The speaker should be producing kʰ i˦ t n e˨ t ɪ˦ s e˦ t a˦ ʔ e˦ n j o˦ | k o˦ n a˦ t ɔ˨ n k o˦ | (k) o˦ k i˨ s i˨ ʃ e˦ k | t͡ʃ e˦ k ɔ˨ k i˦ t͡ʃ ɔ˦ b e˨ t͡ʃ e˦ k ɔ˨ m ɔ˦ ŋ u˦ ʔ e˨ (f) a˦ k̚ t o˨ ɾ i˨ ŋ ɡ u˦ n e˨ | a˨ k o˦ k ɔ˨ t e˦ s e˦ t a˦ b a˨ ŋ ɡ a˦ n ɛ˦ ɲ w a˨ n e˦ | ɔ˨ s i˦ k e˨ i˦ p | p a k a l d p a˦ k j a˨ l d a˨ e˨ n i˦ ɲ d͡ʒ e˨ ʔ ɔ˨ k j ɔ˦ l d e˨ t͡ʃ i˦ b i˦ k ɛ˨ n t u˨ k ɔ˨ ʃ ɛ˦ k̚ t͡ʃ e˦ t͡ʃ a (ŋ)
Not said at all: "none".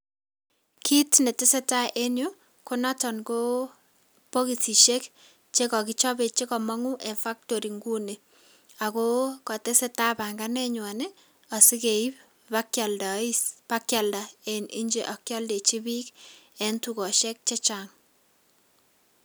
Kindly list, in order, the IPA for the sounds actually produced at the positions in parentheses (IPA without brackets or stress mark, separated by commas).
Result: p, f, ŋ